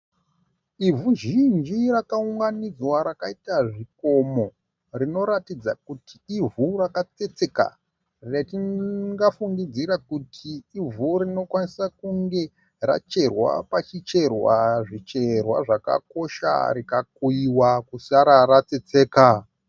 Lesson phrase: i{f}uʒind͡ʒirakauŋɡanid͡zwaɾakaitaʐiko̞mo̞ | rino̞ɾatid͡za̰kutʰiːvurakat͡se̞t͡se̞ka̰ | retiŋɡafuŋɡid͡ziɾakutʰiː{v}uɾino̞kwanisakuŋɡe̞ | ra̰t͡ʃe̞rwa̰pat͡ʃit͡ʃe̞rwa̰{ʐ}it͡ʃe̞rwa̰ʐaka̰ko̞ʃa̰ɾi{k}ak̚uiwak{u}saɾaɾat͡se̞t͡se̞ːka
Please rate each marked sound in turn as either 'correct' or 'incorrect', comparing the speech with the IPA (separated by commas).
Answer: incorrect, correct, correct, correct, correct